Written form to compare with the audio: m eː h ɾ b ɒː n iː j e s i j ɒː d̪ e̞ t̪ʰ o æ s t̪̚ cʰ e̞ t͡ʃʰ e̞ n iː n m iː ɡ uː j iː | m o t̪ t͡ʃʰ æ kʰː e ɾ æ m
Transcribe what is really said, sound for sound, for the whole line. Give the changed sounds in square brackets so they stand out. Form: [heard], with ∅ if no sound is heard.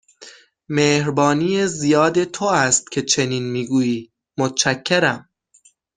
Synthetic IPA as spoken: m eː h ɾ b ɒː n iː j e [z] i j ɒː d̪ e̞ t̪ʰ o æ s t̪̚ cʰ e̞ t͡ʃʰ e̞ n iː n m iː ɡ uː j iː | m o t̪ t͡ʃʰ æ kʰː e ɾ æ m